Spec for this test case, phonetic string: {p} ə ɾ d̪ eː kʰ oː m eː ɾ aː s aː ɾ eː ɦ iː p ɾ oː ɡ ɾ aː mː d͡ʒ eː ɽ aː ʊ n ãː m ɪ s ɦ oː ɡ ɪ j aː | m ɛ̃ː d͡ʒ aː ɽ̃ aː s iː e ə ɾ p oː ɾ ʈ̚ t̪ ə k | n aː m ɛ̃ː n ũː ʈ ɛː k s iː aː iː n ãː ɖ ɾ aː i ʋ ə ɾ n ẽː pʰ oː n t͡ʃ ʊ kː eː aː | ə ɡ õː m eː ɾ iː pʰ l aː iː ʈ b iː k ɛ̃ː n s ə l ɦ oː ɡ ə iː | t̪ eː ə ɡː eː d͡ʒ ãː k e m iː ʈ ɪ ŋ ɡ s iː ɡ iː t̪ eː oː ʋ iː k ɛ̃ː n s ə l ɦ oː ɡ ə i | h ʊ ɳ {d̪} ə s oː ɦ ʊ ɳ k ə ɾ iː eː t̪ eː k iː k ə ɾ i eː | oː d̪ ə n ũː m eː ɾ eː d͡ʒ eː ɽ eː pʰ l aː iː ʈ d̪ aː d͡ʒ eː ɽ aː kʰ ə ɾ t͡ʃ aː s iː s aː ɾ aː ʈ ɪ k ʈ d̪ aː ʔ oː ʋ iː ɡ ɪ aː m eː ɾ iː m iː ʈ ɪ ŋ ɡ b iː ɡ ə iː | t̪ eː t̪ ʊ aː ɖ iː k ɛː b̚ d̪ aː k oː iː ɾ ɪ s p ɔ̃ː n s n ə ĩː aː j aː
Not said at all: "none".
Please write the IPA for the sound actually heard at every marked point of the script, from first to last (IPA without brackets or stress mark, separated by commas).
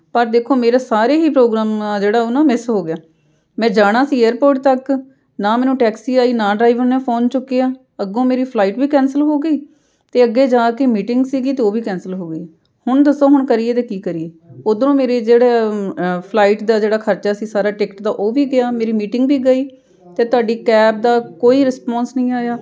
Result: p, d̪